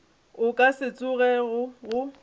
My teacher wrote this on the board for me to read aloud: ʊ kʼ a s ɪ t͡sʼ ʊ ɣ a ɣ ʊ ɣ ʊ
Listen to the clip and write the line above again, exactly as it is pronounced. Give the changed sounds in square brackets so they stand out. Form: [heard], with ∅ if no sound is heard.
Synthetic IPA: ʊ kʼ a s ɪ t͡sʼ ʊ ɣ [ɛ] ɣ ʊ ɣ ʊ